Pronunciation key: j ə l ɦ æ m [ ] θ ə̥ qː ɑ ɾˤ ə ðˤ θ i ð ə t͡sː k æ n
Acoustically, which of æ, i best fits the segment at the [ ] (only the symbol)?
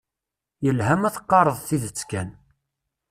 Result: æ